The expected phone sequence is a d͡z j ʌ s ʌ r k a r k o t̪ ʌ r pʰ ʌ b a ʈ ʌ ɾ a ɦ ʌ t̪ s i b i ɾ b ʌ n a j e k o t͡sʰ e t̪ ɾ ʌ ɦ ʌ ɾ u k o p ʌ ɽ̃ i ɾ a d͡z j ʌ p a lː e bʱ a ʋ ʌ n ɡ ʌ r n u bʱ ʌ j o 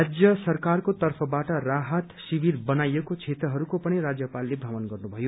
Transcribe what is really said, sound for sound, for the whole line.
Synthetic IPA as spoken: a d͡z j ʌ s ʌ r k a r k o t̪ ʌ r pʰ ʌ b a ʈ ʌ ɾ a ɦ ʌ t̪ s i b i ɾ b ʌ n a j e k o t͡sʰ e t̪ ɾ ʌ ɦ ʌ ɾ u k o p ʌ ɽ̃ i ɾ a d͡z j ʌ p a lː e bʱ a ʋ ʌ n ɡ ʌ r n u bʱ ʌ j o